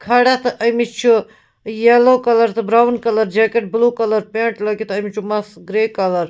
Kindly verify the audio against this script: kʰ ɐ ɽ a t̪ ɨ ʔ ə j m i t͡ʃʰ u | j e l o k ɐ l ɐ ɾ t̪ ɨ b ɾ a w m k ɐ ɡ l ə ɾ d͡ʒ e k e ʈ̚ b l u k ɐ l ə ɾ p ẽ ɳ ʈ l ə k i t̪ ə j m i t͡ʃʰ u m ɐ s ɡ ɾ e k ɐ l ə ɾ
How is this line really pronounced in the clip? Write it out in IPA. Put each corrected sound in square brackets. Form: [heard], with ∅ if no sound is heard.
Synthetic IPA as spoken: kʰ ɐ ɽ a t̪ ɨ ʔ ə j m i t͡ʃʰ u | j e l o k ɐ l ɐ ɾ t̪ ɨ b ɾ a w [n] k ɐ [∅] l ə ɾ d͡ʒ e k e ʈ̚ b l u k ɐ l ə ɾ p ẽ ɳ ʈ l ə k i t̪ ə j m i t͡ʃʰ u m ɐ s ɡ ɾ e k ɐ l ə ɾ